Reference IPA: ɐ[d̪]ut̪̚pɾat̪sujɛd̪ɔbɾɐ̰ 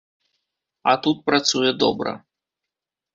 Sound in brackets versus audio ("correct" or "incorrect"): incorrect